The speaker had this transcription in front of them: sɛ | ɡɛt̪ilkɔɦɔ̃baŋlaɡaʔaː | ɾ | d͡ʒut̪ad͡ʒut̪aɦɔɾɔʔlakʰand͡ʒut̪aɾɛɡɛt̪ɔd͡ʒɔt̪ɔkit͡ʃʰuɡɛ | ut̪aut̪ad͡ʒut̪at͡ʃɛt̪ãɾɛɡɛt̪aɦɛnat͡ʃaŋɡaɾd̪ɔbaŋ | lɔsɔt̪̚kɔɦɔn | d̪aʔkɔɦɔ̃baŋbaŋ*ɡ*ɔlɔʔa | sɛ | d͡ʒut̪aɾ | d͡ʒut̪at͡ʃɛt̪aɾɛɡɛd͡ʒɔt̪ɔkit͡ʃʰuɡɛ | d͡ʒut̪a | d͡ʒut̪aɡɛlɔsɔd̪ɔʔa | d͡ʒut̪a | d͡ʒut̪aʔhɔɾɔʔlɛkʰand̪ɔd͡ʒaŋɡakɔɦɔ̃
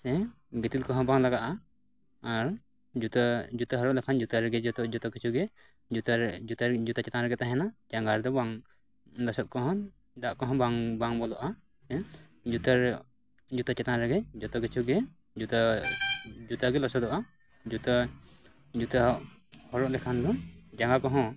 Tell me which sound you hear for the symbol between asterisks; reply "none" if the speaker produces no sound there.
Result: b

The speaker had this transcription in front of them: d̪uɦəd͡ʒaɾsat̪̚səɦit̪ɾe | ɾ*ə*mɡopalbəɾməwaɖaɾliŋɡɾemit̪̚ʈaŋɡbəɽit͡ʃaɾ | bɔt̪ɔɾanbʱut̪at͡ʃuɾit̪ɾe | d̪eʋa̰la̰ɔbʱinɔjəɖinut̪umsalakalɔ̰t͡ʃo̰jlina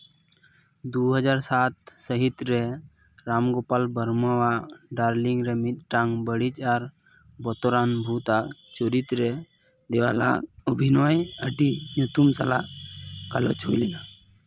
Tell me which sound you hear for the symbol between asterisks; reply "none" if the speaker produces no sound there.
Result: a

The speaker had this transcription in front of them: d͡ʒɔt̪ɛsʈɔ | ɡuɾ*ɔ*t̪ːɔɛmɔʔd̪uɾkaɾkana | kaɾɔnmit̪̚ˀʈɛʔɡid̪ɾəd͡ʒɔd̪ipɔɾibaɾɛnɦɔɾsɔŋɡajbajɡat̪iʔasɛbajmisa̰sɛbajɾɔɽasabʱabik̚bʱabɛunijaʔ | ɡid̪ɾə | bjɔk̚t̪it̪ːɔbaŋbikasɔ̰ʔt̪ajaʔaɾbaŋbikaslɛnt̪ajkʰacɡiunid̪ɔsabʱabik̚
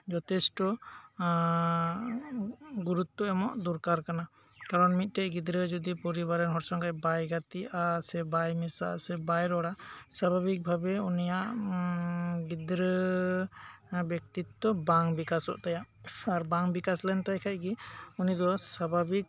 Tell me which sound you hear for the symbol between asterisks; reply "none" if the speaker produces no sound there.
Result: u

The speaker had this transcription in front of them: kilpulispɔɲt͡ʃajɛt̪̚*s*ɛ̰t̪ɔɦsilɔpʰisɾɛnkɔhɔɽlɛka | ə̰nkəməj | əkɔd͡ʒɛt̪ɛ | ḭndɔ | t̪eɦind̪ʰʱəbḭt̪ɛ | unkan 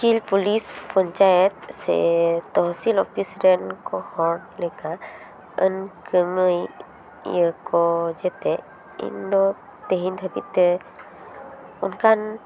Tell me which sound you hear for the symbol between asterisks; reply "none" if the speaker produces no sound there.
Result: s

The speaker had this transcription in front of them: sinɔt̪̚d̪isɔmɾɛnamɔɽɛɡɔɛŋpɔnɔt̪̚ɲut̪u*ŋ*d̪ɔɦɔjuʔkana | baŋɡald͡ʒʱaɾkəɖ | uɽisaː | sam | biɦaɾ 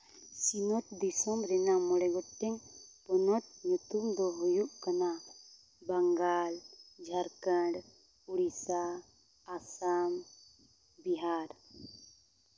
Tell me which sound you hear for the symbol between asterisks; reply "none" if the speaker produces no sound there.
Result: m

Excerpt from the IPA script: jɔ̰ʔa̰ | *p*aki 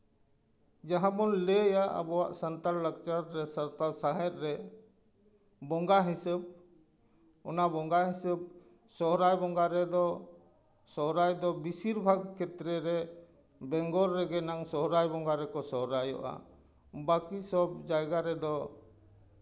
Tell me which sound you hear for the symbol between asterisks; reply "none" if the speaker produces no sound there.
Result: b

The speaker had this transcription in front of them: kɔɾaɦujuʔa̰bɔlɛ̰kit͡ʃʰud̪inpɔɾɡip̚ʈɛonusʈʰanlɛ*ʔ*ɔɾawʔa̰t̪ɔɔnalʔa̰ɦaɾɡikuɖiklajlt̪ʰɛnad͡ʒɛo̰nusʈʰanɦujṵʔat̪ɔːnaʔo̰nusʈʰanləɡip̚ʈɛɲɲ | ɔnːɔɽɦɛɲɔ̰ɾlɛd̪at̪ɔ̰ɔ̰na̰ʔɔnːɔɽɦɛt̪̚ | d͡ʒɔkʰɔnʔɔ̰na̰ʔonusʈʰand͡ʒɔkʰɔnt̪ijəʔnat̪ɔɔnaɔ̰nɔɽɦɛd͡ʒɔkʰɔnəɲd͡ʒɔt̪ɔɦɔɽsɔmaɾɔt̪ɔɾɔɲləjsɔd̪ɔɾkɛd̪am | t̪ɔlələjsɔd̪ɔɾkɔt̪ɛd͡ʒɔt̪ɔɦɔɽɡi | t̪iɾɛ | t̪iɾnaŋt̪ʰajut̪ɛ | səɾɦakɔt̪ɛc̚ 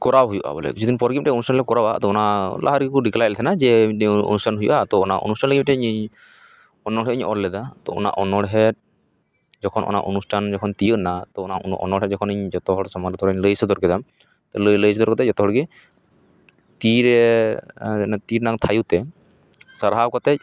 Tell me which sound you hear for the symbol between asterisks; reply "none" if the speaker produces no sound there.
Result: k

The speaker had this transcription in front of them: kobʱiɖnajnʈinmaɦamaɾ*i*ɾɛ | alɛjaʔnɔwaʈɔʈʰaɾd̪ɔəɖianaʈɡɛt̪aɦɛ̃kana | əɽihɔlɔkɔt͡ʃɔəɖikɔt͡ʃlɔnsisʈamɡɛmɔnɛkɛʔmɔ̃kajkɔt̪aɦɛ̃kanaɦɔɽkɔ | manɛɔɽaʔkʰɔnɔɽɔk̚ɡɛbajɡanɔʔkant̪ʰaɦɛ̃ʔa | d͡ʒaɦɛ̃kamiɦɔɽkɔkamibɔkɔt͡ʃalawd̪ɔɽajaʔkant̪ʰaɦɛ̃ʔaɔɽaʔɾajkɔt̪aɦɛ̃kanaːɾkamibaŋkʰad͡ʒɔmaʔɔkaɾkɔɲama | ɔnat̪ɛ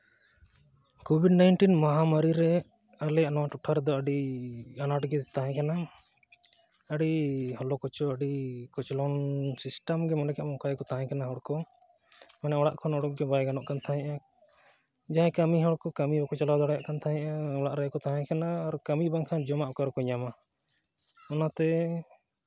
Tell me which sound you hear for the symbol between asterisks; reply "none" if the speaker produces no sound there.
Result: i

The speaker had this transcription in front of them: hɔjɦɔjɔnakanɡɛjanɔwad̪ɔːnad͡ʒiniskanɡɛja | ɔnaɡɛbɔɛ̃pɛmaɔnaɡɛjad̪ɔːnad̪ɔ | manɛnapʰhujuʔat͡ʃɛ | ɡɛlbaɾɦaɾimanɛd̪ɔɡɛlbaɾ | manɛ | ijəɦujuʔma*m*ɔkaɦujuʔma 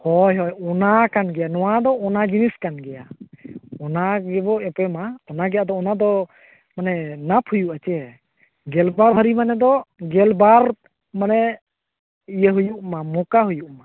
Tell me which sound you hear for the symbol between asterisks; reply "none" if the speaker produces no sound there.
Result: m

